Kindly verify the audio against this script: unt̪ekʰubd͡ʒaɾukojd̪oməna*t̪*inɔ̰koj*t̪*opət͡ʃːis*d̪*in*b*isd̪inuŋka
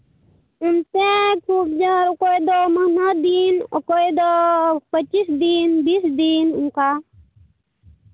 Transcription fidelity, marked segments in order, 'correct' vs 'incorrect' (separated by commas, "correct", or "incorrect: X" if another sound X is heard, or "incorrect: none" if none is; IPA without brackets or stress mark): incorrect: d̪, incorrect: d̪, correct, correct